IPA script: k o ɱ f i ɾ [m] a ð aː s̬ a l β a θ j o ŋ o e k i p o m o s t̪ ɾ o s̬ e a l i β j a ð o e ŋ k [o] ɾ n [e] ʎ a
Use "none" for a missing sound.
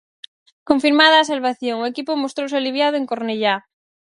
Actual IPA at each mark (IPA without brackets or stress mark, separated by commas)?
m, o, e